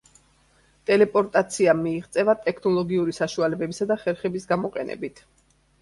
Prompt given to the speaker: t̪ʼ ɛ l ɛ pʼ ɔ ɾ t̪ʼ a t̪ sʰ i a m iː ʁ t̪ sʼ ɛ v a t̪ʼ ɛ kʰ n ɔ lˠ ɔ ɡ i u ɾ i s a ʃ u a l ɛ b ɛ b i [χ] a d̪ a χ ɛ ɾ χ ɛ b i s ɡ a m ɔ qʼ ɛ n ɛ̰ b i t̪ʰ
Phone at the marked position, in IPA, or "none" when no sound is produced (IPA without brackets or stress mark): s